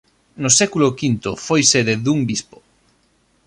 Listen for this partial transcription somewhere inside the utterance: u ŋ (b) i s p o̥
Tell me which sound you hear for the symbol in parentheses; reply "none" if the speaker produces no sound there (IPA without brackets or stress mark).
b